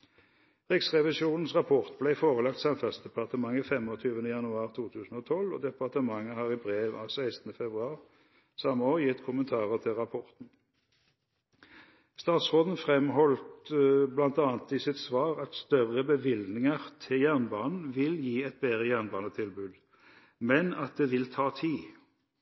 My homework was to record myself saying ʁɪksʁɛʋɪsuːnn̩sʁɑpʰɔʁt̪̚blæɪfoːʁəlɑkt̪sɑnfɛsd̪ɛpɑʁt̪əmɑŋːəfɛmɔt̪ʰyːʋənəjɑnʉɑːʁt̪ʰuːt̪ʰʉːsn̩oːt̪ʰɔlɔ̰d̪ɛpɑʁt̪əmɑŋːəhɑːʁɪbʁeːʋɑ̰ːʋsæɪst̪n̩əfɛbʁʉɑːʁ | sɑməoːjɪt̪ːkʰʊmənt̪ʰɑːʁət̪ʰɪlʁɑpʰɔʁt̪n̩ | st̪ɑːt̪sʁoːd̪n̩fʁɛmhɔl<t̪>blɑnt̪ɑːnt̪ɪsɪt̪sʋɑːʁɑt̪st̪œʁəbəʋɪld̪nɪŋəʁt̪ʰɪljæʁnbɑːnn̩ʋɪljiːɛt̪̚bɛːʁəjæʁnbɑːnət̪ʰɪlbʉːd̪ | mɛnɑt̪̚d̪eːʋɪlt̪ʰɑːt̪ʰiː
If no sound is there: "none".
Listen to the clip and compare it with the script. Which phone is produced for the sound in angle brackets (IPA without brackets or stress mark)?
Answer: t̪